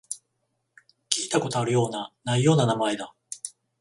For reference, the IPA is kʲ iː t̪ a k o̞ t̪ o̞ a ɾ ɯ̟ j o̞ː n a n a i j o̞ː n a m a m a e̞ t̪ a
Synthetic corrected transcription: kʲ iː t̪ a k o̞ t̪ o̞ a ɾ ɯ̟ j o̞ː n a n a i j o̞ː n a n a m a e̞ d̪ a

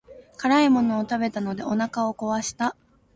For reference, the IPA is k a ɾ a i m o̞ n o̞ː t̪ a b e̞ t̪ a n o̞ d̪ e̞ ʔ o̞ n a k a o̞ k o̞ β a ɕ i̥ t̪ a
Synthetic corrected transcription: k a ɾ a i m o̞ n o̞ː t̪ a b e̞ t̪ a n o̞ d̪ e̞ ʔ o̞ n a k a o̞ k o̞ β a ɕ i̥ t̪ a

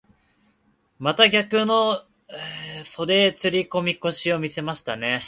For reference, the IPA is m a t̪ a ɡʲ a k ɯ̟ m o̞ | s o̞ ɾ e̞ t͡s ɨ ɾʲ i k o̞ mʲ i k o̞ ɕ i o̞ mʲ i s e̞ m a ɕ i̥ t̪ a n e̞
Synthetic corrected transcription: m a t̪ a ɡʲ a k ɯ̟ n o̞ | s o̞ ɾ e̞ t͡s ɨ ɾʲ i k o̞ mʲ i k o̞ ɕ i o̞ mʲ i s e̞ m a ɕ i̥ t̪ a n e̞

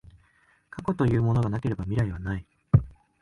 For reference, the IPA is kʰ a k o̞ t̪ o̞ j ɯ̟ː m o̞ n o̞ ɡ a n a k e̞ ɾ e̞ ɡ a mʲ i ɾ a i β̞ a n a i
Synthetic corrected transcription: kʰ a k o̞ t̪ o̞ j ɯ̟ː m o̞ n o̞ ɡ a n a k e̞ ɾ e̞ b a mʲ i ɾ a i β̞ a n a i

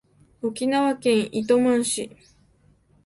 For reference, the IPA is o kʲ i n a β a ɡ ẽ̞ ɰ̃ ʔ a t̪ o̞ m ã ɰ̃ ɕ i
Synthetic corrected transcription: o kʲ i n a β a k ẽ̞ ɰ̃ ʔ i t̪ o̞ m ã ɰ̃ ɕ i

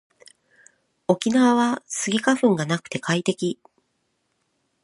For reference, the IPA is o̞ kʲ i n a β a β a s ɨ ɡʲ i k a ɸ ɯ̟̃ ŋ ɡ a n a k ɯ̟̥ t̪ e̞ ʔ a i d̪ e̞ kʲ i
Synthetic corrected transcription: o̞ kʲ i n a β a β a s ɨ ɡʲ i k a ɸ ɯ̟̃ ŋ ɡ a n a k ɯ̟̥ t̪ e̞ k a i t̪ e̞ kʲ i

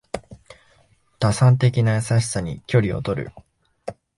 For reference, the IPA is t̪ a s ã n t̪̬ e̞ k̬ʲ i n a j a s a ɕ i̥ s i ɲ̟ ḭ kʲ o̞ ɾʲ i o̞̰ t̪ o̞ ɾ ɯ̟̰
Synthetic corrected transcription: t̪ a s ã n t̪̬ e̞ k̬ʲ i n a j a s a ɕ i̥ s a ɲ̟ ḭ kʲ o̞ ɾʲ i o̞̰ t̪ o̞ ɾ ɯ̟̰

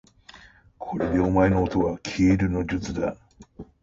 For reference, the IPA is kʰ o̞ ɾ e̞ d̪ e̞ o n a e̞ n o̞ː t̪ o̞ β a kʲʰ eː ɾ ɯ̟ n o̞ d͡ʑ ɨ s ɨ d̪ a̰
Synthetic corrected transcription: kʰ o̞ ɾ e̞ d̪ e̞ o m a e̞ n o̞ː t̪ o̞ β a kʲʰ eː ɾ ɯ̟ n o̞ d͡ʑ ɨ t͡s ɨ d̪ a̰

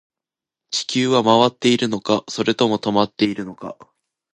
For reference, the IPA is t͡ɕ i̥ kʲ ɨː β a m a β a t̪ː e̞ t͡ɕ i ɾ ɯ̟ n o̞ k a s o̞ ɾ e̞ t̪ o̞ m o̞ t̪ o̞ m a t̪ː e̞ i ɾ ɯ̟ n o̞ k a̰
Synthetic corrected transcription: t͡ɕ i̥ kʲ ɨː β a m a β a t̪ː e̞ i ɾ ɯ̟ n o̞ k a s o̞ ɾ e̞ t̪ o̞ m o̞ t̪ o̞ m a t̪ː e̞ i ɾ ɯ̟ n o̞ k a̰

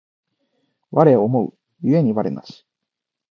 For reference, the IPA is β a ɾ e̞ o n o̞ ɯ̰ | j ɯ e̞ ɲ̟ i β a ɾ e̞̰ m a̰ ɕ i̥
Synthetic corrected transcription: β a ɾ e̞ o m o̞ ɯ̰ | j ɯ e̞ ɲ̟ i β a ɾ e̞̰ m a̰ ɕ i̥

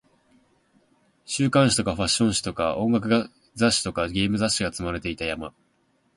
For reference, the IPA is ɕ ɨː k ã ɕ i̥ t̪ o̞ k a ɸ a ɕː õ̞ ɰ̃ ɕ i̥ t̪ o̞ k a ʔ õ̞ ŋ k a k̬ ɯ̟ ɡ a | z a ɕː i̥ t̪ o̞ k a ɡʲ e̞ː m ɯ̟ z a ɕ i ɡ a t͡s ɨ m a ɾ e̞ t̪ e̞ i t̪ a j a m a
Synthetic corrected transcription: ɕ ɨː k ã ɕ i̥ t̪ o̞ k a ɸ a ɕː õ̞ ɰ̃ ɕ i̥ t̪ o̞ k a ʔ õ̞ ŋ ɡ a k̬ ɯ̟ ɡ a | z a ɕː i̥ t̪ o̞ k a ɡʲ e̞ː m ɯ̟ z a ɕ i ɡ a t͡s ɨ m a ɾ e̞ t̪ e̞ i t̪ a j a m a

